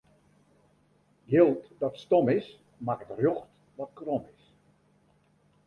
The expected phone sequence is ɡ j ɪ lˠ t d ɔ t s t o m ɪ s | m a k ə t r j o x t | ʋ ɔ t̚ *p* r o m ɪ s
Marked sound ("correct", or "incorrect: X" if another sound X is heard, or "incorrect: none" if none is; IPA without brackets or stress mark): incorrect: k